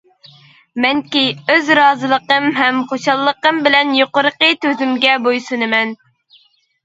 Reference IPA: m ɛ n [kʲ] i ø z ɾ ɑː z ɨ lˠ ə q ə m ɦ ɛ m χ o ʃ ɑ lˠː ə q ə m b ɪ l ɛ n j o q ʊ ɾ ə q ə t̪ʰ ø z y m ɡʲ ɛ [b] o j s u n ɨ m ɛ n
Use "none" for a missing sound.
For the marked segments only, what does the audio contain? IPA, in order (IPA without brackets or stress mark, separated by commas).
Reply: kʲ, b